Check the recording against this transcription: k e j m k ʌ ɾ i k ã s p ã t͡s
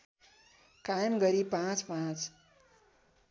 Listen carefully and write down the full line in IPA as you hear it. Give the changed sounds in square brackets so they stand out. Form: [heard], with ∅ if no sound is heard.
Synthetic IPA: k [a] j m [ɡ] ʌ ɾ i [p] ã [t͡s] p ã t͡s